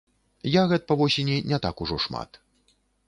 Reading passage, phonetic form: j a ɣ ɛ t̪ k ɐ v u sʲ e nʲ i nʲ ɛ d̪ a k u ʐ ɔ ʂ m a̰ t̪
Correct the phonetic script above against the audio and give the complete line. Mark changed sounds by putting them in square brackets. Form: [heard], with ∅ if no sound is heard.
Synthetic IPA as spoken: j a ɣ ɛ t̪ [p] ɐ v [ɔ] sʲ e nʲ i nʲ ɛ [t̪] a k u ʐ ɔ ʂ m a̰ t̪